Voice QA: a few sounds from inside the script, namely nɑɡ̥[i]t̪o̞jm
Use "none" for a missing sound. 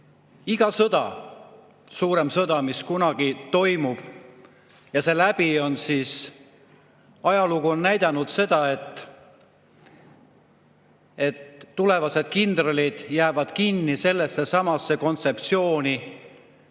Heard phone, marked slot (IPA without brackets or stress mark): i